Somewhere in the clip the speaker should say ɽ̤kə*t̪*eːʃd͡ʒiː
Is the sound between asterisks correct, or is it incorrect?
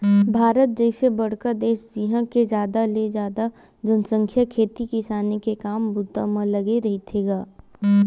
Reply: incorrect